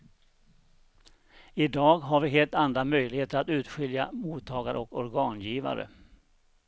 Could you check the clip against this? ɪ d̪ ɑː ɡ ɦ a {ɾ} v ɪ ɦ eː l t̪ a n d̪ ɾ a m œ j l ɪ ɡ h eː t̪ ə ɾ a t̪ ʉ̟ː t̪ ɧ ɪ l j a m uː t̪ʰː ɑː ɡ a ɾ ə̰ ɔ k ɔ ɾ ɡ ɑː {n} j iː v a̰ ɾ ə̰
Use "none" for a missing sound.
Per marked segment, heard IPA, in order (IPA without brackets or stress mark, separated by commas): ɾ, n